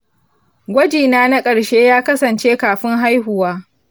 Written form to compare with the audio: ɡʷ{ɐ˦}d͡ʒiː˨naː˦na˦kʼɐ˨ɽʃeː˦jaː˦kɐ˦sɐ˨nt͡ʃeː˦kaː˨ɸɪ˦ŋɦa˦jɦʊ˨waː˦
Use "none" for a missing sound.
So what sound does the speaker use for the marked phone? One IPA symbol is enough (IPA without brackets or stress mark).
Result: ɐ˦